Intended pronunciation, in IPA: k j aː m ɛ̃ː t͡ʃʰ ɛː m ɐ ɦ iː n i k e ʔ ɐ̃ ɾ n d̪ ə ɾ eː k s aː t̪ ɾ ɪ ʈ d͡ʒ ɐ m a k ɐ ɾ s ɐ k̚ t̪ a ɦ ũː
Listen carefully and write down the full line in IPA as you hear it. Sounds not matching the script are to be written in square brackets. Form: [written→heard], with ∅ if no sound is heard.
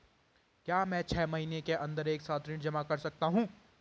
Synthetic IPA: k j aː m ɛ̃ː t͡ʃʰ ɛː m ɐ ɦ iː n [i→e] k e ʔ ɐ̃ [ɾ→∅] n d̪ ə ɾ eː k s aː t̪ ɾ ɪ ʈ d͡ʒ ɐ m a k ɐ ɾ s ɐ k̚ t̪ a ɦ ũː